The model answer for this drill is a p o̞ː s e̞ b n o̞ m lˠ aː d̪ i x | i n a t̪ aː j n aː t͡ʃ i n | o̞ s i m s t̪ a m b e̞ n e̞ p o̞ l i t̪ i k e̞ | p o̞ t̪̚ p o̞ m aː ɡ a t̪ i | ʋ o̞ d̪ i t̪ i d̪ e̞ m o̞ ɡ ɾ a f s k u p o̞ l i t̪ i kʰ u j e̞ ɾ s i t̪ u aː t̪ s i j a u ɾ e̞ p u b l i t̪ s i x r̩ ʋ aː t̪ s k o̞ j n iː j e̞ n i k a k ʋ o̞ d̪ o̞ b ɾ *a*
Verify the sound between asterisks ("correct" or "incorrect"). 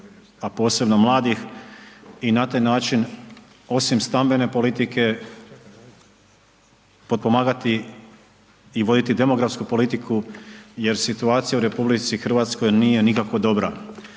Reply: correct